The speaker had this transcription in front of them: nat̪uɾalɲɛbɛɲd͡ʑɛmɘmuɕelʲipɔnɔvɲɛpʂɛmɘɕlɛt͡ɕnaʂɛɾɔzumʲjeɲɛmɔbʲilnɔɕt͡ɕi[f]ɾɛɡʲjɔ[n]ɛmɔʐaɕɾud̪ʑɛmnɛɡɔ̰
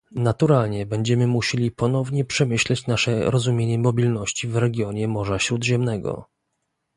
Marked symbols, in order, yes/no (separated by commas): no, no